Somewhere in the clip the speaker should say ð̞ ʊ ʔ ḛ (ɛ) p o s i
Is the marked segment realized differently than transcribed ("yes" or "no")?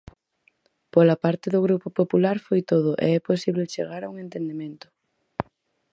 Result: no